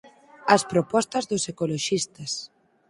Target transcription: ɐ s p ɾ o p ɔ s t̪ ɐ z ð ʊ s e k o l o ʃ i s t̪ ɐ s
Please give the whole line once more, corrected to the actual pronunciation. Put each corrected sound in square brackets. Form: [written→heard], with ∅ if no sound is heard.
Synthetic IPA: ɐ s p ɾ o p ɔ s t̪ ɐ z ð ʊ s e k o l o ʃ i s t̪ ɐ s